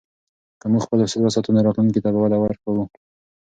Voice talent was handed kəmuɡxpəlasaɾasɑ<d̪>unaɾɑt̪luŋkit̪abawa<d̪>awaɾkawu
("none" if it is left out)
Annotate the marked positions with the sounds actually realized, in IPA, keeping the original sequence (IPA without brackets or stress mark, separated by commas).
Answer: t̪, d̪